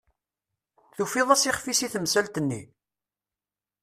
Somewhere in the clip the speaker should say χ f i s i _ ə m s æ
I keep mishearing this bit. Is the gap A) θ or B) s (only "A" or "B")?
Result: A